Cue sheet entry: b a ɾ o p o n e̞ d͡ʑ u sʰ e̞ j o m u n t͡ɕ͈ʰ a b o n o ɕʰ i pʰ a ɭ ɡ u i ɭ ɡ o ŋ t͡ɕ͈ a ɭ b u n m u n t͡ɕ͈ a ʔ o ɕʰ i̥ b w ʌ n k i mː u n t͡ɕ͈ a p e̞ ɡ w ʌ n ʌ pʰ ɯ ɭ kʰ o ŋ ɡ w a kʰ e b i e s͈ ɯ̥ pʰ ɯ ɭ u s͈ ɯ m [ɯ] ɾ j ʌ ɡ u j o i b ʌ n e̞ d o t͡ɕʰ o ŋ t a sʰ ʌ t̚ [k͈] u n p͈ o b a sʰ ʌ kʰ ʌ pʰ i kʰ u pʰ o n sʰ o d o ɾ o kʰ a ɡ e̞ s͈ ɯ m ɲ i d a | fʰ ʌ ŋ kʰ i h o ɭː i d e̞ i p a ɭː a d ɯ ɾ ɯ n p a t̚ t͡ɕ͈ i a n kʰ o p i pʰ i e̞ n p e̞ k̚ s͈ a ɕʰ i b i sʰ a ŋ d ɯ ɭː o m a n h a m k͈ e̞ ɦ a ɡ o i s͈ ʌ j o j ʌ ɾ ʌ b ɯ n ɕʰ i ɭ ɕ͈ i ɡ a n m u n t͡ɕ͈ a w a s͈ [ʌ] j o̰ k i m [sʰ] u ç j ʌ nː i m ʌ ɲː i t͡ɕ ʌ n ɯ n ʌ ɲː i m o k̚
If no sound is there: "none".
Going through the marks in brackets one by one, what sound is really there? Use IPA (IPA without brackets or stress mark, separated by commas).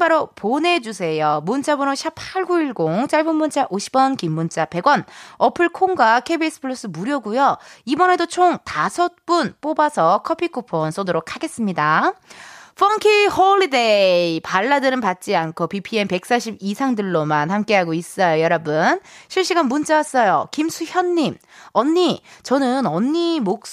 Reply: u, p͈, ʌ, sʰ